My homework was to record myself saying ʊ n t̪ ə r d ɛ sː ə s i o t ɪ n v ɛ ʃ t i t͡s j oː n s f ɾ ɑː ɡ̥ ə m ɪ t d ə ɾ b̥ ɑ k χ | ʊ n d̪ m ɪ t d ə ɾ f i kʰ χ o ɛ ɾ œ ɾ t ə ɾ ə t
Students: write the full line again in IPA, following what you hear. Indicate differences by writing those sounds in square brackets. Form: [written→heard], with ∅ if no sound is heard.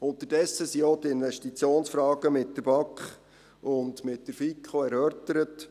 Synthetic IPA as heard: ʊ n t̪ ə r d ɛ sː ə s i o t ɪ n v ɛ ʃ t i t͡s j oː n s f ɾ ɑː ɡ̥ ə m ɪ t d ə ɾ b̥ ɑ k χ | ʊ n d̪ m ɪ t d ə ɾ f i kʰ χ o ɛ ɾ œ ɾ t ə ɾ ə t